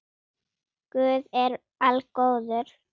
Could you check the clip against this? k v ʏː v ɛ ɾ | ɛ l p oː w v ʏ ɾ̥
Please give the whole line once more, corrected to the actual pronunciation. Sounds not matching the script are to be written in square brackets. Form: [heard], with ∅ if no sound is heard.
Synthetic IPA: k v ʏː [ð] ɛ ɾ | [a] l [k] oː w [ð] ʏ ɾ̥

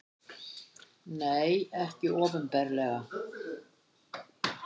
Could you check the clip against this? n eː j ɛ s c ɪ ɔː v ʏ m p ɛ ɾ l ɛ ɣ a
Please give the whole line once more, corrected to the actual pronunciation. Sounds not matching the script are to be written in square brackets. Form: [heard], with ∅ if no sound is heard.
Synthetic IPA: n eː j ɛ [h] c ɪ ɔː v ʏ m p ɛ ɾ l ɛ ɣ a

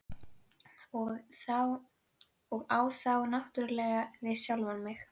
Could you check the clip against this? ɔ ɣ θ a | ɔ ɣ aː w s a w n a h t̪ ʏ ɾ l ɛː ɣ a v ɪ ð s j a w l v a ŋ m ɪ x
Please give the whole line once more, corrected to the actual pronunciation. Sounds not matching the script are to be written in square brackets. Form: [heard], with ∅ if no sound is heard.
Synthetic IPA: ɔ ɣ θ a | ɔ ɣ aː w [θ] a w n a h t̪ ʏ ɾ l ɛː ɣ a v ɪ ð s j a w l v a [n] m ɪ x

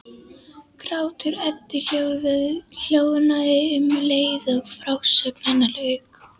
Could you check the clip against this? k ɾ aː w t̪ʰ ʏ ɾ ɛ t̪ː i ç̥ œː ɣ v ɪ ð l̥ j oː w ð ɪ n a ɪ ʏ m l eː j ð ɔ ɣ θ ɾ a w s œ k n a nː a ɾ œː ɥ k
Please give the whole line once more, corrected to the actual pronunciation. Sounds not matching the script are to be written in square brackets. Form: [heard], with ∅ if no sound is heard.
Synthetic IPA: k ɾ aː w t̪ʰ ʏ ɾ ɛ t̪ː [ɪ] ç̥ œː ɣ v ɪ ð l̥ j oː w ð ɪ n a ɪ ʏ m l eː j ð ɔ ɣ [f] ɾ a w s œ k n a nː a [l] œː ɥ k

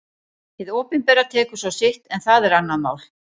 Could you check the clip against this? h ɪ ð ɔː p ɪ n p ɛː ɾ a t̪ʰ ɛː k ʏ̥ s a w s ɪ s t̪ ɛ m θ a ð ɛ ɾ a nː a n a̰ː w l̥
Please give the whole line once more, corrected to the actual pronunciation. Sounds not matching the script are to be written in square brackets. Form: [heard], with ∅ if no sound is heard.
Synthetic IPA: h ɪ ð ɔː p ɪ n p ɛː ɾ a t̪ʰ ɛː k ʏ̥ s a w s ɪ [h] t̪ ɛ [n] θ a ð ɛ ɾ a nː a [m] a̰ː w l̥

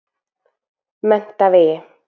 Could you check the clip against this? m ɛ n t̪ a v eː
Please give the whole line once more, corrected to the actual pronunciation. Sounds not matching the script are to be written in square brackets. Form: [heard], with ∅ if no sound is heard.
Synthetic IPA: m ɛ n t̪ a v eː

